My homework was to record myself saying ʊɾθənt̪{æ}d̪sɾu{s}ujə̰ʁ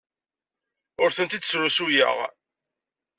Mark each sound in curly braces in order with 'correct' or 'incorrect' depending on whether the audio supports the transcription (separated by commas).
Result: incorrect, correct